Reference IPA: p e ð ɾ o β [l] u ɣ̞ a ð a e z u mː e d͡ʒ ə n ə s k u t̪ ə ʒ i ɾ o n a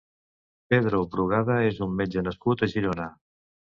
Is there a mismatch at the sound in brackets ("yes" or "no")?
yes